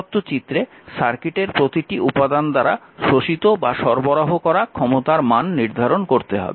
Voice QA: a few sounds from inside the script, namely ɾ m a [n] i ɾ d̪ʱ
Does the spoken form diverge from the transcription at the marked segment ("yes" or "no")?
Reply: yes